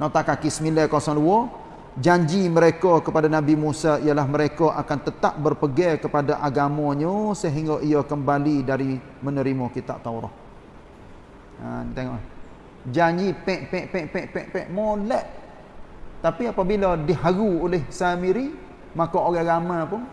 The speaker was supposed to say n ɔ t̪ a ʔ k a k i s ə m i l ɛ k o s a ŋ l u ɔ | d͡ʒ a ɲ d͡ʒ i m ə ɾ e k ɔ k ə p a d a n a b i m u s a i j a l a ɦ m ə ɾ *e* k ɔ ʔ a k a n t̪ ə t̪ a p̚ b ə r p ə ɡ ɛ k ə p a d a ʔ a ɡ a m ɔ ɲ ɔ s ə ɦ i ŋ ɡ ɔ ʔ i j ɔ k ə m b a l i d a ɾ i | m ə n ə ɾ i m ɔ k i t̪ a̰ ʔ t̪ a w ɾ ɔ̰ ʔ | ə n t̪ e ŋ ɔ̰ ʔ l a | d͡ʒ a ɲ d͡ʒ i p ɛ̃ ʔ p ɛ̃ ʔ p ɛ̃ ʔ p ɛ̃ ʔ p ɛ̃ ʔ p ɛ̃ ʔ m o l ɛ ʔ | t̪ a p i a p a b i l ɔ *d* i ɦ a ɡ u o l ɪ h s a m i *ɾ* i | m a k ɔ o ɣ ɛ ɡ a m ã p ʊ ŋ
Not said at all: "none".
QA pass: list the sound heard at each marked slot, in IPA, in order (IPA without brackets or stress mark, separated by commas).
e, d, ɾ